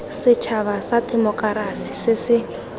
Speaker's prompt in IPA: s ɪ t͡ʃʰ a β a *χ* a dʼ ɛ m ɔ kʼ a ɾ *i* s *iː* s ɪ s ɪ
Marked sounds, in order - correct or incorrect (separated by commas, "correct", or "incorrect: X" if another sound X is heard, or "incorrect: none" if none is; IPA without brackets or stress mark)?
incorrect: s, incorrect: a, incorrect: i